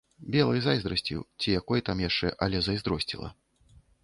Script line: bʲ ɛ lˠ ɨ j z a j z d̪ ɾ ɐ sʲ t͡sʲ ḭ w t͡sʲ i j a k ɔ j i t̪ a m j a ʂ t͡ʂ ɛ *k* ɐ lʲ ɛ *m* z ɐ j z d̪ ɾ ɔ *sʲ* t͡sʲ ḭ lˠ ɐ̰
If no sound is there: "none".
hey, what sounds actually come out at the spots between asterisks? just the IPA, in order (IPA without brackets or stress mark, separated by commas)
ʔ, none, sʲ